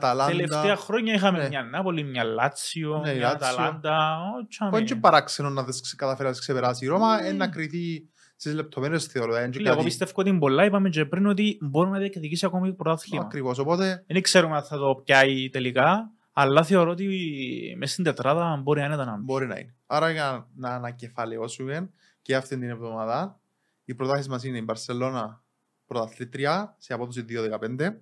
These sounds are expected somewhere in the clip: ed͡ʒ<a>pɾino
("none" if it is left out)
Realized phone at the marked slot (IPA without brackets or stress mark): e